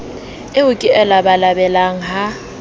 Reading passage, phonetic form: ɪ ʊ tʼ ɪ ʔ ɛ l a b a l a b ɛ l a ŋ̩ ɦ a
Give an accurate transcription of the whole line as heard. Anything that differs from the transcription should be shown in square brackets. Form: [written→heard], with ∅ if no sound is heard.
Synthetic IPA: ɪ ʊ [tʼ→kʼ] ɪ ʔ ɛ l a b a l a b ɛ l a ŋ̩ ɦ a

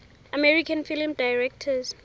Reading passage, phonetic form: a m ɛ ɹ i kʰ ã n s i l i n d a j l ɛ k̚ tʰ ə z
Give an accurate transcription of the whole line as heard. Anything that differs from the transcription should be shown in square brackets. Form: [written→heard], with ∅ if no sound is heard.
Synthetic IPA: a m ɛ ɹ i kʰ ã n [s→f] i l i [n→m] d a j [l→ɹ] ɛ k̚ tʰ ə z

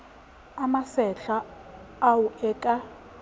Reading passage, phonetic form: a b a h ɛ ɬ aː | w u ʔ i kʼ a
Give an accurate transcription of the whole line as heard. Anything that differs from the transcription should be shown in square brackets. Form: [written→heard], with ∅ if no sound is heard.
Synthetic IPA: a [b→m] a [h→s] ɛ ɬ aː | w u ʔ [i→ɛ] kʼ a

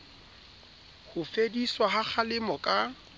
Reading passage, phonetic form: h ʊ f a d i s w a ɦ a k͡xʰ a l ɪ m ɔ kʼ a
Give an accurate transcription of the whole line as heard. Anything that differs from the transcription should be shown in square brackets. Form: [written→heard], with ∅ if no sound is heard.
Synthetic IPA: h ʊ f [a→e] d i s w a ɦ a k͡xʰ a l ɪ m ɔ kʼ a

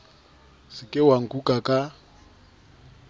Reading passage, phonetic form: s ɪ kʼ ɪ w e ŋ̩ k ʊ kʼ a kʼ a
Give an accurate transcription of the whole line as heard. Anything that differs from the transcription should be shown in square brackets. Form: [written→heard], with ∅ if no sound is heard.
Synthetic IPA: s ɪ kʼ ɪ w [e→a] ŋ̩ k [ʊ→u] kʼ a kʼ a

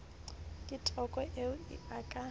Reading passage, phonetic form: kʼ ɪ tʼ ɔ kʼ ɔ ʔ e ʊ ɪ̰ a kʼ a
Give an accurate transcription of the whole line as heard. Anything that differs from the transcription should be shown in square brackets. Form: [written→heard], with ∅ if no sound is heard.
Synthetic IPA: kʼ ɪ tʼ ɔ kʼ ɔ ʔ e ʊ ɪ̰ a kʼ a

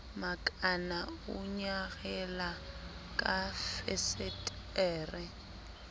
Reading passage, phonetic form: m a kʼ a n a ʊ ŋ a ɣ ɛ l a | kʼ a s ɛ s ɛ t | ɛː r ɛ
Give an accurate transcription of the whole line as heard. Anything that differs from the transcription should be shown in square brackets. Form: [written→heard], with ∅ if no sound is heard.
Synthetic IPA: m a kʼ a n a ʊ [ŋ→ɲ] a ɣ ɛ l a | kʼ a [s→f] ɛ s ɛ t | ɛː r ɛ

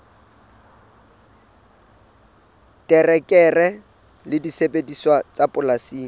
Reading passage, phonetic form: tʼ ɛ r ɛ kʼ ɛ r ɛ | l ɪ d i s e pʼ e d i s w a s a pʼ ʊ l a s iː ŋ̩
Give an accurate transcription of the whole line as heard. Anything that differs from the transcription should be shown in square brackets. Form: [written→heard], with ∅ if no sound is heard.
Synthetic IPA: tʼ ɛ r ɛ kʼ ɛ r ɛ | l ɪ d i s e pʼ e d i s w a [s→t͡s] a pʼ ʊ l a s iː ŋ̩

